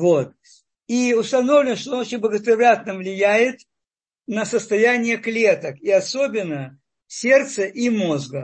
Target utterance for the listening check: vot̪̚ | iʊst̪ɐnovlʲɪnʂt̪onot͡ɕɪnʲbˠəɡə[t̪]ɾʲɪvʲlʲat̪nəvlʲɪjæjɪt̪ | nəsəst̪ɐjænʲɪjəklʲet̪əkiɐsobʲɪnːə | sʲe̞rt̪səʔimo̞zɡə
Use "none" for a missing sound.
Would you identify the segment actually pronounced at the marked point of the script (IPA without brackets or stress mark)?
t̪